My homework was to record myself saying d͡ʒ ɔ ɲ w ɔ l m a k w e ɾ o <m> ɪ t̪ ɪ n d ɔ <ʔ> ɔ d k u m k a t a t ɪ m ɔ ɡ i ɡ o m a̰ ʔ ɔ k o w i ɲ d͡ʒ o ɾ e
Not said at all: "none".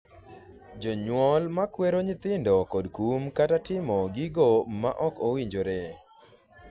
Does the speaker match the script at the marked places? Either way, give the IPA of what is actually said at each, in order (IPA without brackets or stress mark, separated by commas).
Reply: ɲ, k